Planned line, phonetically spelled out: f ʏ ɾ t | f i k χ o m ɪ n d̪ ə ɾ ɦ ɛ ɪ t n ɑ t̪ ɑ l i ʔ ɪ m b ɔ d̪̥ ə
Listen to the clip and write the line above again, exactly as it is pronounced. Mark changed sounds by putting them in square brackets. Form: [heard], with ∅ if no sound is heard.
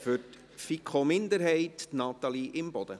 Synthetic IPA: f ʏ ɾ t | f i k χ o m ɪ n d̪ ə ɾ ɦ ɛ ɪ t n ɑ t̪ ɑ l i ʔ ɪ m b ɔ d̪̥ ə